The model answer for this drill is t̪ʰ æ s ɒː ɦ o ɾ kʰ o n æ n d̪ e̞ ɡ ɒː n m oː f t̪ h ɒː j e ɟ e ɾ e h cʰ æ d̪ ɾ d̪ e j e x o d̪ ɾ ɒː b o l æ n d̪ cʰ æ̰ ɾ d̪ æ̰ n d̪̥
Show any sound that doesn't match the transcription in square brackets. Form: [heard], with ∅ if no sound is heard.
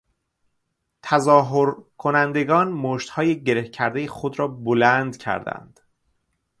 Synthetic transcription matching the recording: t̪ʰ æ [z] ɒː ɦ o ɾ kʰ o n æ n d̪ e̞ ɡ ɒː n m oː [ʃ] t̪ h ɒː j e ɟ e ɾ e h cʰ æ [∅] ɾ d̪ e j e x o d̪ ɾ ɒː b o l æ n d̪ cʰ æ̰ ɾ d̪ æ̰ n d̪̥